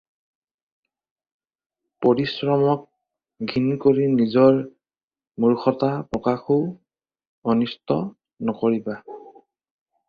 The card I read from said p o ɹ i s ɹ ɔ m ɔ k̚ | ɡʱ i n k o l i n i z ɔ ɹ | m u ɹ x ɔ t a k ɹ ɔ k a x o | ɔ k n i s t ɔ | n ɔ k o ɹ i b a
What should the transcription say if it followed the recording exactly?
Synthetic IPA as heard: p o ɹ i s ɹ ɔ m ɔ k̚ | ɡʱ i n k o ɹ i n i z ɔ ɹ | m u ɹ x ɔ t a p ɹ ɔ k a x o | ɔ n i s t ɔ | n ɔ k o ɹ i b a